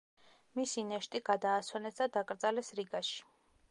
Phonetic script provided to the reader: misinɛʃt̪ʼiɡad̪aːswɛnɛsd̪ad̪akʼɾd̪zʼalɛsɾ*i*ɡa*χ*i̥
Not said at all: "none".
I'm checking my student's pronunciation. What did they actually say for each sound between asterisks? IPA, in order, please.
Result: i, ʃ

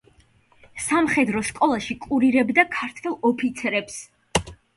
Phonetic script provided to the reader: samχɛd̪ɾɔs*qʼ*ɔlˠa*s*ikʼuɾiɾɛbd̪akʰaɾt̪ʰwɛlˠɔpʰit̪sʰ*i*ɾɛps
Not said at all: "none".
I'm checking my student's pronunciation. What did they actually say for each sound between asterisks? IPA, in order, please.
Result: kʼ, ʃ, ɛ

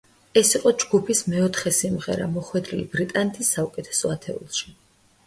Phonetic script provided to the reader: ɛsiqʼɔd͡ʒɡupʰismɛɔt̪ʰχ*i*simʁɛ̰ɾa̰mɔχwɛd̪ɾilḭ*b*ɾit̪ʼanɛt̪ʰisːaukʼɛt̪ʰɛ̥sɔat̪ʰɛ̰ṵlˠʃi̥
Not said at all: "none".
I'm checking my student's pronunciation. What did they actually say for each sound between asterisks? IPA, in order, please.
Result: ɛ, b

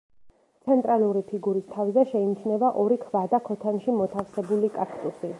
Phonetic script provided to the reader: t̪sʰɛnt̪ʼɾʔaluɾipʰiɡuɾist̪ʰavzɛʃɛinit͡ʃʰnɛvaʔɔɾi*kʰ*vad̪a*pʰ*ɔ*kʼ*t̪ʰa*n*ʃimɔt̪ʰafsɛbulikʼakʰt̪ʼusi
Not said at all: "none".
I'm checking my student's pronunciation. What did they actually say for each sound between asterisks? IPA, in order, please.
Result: kʰ, kʰ, none, n

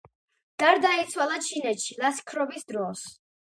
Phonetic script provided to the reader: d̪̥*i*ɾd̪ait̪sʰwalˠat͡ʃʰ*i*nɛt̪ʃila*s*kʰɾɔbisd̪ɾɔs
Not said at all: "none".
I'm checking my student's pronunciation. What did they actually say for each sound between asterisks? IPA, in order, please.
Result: a, i, s

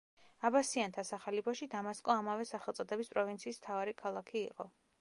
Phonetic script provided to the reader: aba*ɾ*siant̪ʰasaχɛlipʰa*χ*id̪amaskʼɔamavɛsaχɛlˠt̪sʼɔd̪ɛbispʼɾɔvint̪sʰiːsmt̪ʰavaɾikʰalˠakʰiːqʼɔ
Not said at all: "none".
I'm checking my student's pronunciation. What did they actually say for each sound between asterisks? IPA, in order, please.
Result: none, ʃ

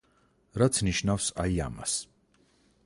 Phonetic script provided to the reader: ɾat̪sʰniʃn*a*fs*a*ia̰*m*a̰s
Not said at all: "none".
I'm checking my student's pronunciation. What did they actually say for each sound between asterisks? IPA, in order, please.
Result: a, a, m

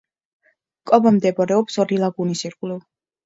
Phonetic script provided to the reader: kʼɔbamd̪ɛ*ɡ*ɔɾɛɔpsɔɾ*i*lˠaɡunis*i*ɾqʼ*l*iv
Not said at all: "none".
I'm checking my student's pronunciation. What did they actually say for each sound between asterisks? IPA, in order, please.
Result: b, i, i, l

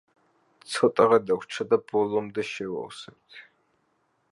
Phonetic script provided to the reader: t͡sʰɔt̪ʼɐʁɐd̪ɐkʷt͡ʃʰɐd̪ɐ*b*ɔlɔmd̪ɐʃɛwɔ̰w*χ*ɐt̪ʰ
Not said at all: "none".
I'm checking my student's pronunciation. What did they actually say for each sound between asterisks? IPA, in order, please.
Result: b, s

